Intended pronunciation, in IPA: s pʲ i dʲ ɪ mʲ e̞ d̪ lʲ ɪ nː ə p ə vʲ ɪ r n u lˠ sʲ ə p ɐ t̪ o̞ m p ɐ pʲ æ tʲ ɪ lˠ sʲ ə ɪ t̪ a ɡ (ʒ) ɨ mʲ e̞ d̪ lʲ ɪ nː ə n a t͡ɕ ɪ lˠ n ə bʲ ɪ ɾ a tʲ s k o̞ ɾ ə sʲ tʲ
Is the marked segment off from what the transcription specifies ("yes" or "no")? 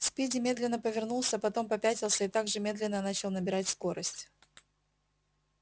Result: yes